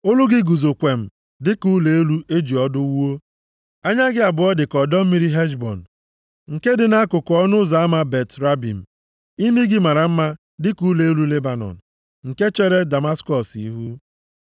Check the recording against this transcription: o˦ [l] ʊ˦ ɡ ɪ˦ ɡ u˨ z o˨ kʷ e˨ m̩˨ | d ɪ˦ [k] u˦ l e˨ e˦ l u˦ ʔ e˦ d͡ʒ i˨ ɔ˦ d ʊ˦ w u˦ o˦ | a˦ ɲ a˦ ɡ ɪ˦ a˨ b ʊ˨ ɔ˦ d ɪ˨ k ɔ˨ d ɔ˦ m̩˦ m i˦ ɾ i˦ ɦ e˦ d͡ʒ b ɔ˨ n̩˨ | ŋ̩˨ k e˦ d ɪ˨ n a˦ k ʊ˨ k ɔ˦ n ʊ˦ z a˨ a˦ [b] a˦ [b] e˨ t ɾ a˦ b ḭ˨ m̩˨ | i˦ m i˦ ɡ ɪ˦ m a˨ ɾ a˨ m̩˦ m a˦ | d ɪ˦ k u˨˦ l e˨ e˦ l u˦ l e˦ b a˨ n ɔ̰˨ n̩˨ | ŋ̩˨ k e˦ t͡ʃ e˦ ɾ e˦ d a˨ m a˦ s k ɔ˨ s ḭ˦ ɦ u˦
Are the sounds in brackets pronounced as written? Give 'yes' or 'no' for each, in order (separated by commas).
yes, yes, no, yes